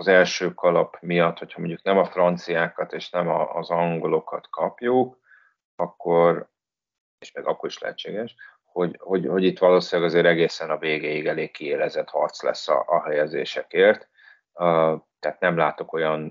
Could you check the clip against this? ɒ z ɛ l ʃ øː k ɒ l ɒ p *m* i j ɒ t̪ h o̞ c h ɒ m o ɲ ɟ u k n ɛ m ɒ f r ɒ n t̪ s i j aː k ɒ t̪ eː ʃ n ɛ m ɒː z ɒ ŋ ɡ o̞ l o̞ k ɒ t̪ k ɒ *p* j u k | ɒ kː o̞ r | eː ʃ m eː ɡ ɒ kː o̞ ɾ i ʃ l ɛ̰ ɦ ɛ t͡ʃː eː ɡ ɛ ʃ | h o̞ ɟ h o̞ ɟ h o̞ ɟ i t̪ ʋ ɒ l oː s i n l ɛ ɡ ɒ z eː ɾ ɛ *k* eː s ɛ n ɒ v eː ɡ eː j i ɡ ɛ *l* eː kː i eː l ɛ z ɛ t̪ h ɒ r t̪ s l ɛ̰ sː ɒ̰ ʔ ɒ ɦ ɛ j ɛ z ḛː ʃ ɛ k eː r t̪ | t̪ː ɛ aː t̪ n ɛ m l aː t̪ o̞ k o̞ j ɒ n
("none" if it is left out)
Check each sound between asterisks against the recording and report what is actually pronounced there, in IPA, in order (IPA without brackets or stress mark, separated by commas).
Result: m, p, ɡ, l